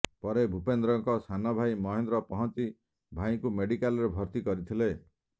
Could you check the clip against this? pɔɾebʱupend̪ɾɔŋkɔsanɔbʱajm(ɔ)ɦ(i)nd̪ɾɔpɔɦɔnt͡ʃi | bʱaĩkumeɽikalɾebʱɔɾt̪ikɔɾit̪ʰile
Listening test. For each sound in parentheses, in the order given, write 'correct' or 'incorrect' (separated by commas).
correct, incorrect